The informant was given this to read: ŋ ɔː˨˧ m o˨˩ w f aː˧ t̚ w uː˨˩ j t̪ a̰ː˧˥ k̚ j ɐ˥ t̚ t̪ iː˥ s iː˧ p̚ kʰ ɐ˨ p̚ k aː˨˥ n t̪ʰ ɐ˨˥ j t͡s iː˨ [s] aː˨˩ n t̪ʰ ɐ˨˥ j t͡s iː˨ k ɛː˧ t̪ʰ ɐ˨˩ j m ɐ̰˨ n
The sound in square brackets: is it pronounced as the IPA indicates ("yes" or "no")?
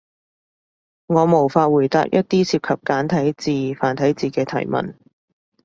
no